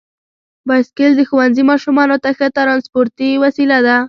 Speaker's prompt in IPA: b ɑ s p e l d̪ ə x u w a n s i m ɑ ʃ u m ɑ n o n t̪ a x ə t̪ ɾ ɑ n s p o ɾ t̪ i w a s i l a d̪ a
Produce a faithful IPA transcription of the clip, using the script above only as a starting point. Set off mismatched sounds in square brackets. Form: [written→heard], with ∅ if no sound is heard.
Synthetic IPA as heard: b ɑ s [p→k] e l d̪ ə x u w a n [s→z] i m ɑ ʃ u m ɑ n o [n→∅] t̪ a x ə t̪ ɾ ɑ n s p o ɾ t̪ i w a s i l a d̪ a

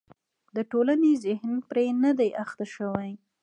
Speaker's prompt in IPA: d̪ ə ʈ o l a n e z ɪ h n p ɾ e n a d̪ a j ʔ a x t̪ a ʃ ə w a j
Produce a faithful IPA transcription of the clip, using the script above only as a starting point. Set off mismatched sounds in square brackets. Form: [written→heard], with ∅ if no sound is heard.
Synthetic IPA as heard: d̪ ə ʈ o l a n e z ɪ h n p ɾ e n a d̪ a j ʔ a x t̪ a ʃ ə w a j

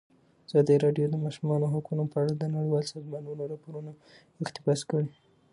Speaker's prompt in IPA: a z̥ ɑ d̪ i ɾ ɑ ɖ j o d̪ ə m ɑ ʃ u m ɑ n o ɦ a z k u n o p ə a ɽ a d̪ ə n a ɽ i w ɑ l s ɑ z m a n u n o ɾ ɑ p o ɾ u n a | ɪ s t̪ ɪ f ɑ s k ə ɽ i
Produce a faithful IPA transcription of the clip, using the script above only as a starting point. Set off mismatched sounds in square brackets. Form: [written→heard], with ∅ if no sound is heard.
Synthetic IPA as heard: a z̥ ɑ d̪ i ɾ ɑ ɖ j o d̪ ə m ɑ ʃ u m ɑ n o ɦ a [z→∅] k u n o p ə a ɽ a d̪ ə n a ɽ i w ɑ l s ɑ z m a n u n o ɾ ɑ p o ɾ u n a | ɪ [s→x] t̪ ɪ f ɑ s k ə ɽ i

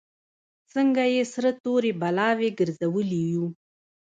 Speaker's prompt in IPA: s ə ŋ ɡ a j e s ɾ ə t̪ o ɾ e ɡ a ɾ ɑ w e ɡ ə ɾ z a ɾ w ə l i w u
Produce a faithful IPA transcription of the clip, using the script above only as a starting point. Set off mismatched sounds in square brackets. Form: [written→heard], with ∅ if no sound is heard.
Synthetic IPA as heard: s ə ŋ ɡ a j e s ɾ ə t̪ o ɾ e [ɡ→b] a [ɾ→l] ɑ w e ɡ ə ɾ z a [ɾ→∅] w ə l i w u

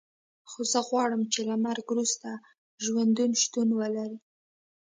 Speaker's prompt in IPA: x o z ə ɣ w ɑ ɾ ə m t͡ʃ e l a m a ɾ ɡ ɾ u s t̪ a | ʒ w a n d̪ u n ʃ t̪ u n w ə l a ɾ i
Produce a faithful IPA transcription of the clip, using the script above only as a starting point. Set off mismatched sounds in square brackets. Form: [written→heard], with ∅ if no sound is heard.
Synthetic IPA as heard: x o z ə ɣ w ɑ [ɾ→ɽ] ə m t͡ʃ e l a m a ɾ ɡ ɾ u s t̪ a | ʒ w a n d̪ u n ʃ t̪ u n w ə l a ɾ i

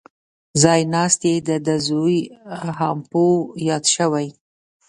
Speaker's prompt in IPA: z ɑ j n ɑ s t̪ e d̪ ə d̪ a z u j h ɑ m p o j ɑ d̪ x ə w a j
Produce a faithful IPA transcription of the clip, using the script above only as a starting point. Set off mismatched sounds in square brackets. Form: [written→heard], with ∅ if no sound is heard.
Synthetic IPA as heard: z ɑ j n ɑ s t̪ e d̪ ə d̪ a z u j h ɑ m p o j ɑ d̪ [x→ʃ] ə w a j

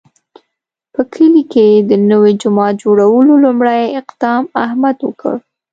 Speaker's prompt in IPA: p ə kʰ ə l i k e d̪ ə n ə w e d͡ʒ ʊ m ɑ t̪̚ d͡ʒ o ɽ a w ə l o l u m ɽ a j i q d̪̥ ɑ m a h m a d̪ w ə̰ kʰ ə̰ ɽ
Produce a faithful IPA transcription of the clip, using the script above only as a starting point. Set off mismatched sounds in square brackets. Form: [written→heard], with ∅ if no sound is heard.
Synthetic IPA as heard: p ə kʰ ə l i k e d̪ ə n ə w e d͡ʒ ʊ m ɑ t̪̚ d͡ʒ o ɽ a w ə l o l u m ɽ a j [i→ɪ] q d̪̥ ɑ m a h m a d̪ w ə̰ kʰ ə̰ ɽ

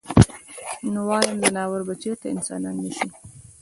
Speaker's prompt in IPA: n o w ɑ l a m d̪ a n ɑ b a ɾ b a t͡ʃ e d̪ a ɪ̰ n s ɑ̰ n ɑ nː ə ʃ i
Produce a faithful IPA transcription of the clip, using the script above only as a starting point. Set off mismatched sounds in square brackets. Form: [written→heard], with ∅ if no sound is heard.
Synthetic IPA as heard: n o w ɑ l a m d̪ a n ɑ [b→w] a ɾ b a t͡ʃ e [d̪→t̪] a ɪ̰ n s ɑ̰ n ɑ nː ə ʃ i

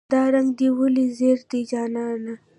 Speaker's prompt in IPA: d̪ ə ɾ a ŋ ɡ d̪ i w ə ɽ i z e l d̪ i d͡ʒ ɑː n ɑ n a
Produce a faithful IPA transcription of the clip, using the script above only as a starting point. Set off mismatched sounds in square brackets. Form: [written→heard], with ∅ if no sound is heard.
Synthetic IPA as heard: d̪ [ə→ɑ] ɾ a ŋ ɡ d̪ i w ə [ɽ→l] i z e [l→ɾ] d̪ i d͡ʒ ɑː n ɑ n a

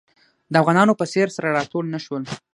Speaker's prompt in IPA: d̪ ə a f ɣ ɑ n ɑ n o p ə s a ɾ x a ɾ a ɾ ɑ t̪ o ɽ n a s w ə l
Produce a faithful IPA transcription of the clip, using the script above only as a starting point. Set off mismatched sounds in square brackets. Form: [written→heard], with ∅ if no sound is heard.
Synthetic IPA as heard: d̪ ə a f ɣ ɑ n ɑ n o p ə s [a→e] ɾ [x→s] a ɾ a ɾ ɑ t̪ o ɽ n a [s→ʃ] w ə l

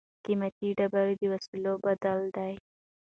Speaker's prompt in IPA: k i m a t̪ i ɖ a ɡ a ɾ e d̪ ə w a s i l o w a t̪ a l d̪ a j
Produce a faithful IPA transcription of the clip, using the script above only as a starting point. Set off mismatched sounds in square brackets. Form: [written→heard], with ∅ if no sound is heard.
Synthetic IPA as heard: k i m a t̪ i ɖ a [ɡ→b] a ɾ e d̪ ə w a s i l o [w→b] a [t̪→d̪] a l d̪ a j

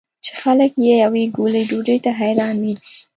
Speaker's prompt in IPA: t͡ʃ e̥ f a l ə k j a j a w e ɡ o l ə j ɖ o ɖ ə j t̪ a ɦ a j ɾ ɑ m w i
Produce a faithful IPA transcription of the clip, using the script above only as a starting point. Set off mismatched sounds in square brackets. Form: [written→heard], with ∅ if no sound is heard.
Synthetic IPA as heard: t͡ʃ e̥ [f→x] a l ə k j [a→e] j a w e ɡ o l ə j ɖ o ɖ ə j t̪ a ɦ a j ɾ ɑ [m→n] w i

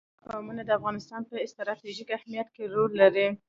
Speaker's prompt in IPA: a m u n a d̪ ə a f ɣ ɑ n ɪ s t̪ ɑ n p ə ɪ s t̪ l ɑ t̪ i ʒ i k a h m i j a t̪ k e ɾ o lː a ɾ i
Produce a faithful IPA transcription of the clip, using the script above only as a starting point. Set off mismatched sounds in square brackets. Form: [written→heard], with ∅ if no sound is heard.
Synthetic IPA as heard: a m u n a d̪ ə a f ɣ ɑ n ɪ s t̪ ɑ n p ə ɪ s t̪ [l→ɾ] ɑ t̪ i ʒ i k a h m i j a t̪ k e ɾ o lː a ɾ i

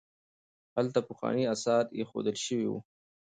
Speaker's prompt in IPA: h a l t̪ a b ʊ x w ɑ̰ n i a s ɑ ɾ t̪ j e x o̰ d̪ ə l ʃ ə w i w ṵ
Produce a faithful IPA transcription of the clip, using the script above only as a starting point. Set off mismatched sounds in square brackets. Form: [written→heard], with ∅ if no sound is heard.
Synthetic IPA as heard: h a l t̪ a [b→p] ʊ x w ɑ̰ n i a s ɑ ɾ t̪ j e x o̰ d̪ ə l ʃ ə w i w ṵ

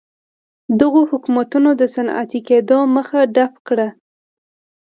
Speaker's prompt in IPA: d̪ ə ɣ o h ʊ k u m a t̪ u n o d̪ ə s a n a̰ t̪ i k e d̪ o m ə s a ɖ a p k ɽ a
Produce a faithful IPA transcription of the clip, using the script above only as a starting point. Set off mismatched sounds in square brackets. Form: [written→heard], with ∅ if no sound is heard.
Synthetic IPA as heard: d̪ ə ɣ o h ʊ k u m a t̪ u n o d̪ ə s a n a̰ t̪ i k e d̪ o m ə [s→x] a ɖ a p k ɽ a

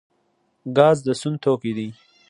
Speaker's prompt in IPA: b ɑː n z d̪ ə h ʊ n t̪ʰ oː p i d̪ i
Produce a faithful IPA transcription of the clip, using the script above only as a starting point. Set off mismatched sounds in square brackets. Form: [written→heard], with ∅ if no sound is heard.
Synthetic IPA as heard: [b→ɡ] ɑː [n→∅] z d̪ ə [h→s] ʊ n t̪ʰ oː [p→k] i d̪ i

